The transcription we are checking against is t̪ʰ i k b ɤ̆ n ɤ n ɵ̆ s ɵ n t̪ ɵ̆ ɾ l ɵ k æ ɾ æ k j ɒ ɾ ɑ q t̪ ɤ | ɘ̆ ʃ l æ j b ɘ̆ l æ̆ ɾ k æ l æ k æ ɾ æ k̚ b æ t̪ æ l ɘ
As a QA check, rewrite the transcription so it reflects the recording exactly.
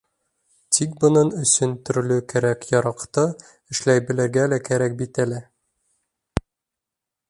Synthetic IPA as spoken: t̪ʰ i k b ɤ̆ n ɤ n ɵ̆ s ɵ n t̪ ɵ̆ ɾ l ɵ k æ ɾ æ k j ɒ ɾ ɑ q t̪ ɤ | ɘ̆ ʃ l æ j b ɘ̆ l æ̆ ɾ ɡ æ l æ k æ ɾ æ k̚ b i t̪ æ l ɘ